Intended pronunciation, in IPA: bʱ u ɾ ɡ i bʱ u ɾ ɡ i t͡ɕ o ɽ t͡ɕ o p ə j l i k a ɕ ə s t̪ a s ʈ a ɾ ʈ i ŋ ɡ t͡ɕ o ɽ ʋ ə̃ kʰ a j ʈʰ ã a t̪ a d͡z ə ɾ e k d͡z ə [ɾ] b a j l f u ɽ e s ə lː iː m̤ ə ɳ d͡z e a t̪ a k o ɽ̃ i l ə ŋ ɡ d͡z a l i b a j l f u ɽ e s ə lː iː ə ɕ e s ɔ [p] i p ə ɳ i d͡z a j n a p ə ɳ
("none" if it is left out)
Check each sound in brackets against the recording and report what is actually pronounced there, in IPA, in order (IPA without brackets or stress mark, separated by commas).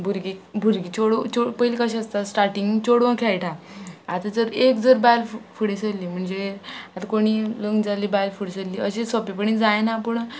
ɾ, p